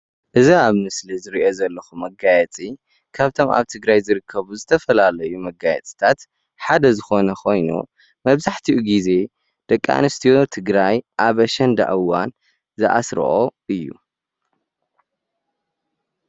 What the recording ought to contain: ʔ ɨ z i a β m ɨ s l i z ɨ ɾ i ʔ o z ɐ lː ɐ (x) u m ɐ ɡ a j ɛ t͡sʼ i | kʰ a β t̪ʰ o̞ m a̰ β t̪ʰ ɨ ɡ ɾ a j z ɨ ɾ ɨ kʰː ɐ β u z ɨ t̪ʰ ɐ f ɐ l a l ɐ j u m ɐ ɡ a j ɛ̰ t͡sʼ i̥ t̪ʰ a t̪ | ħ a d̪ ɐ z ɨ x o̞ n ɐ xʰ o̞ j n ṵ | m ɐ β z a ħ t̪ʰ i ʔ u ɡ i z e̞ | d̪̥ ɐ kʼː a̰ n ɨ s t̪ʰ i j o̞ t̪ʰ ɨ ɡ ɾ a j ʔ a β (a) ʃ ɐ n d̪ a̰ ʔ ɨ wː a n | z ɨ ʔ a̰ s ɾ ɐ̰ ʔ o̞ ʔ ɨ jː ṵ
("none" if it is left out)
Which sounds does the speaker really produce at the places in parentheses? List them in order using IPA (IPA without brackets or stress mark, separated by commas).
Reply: x, ɐ